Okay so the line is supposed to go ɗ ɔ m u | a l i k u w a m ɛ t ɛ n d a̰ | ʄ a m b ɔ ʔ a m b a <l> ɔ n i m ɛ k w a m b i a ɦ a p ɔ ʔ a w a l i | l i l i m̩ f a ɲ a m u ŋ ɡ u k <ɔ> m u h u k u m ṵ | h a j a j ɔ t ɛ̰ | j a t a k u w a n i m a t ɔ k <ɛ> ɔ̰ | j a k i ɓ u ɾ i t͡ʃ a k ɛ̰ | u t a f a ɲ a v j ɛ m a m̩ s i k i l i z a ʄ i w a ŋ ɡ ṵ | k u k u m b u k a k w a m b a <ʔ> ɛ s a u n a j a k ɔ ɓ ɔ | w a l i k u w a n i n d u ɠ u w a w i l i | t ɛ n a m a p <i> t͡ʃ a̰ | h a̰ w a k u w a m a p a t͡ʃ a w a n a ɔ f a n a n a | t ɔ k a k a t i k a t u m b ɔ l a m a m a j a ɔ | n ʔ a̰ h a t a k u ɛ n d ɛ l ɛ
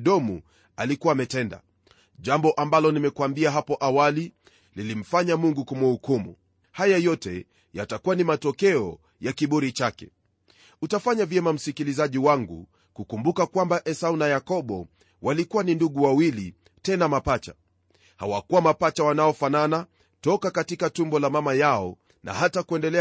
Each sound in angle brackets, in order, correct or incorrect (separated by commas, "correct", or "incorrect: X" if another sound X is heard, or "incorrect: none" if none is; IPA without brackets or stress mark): correct, incorrect: u, correct, correct, incorrect: a